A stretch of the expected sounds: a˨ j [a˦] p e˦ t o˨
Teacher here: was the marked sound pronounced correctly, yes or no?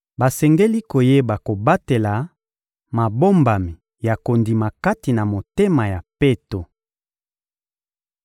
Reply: no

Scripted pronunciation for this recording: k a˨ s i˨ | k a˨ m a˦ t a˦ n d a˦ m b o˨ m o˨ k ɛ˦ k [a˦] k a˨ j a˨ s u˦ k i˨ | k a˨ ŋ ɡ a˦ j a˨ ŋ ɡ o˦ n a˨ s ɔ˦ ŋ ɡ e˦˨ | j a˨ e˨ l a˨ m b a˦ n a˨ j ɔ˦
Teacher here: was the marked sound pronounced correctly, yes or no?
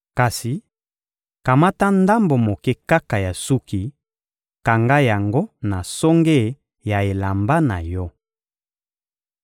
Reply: yes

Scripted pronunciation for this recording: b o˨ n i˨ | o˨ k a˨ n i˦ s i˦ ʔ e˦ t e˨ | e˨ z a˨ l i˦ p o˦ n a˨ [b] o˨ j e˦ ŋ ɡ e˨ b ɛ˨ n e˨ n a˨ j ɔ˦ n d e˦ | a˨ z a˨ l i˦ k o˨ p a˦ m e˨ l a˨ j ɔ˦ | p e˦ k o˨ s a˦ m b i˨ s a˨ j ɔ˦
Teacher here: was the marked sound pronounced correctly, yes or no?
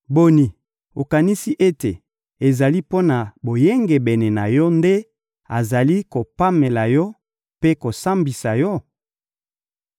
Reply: yes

